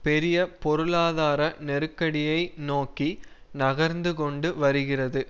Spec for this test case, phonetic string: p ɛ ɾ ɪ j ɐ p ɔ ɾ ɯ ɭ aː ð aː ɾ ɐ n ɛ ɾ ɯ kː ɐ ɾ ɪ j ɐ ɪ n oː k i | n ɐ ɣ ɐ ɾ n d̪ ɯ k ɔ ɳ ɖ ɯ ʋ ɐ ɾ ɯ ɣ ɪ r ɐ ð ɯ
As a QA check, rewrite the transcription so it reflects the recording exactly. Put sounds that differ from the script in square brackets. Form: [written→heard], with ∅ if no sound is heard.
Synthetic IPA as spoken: p ɛ ɾ ɪ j ɐ p ɔ ɾ ɯ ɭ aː ð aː ɾ ɐ n ɛ ɾ ɯ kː ɐ [ɾ→ɽ] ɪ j ɐ ɪ n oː k i | n ɐ ɣ ɐ ɾ n d̪ ɯ k ɔ ɳ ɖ ɯ ʋ ɐ ɾ ɯ ɣ ɪ r ɐ ð ɯ